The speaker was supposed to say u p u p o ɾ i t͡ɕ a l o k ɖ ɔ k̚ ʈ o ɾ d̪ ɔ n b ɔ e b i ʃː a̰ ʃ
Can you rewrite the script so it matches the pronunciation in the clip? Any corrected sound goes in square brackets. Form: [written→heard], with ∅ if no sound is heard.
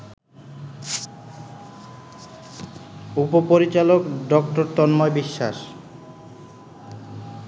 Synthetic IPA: u p [u→o] p o ɾ i t͡ɕ a l o k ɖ ɔ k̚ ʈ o ɾ [d̪→t̪] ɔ n [b→m] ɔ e b i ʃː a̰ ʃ

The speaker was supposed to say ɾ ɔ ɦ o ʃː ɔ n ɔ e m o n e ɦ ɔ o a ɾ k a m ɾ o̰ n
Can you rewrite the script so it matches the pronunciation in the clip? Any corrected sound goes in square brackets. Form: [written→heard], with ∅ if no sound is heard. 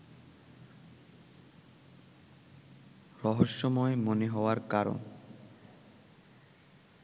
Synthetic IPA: ɾ ɔ ɦ o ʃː ɔ [n→m] ɔ e m o n e ɦ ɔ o a ɾ k a [m→∅] ɾ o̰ n

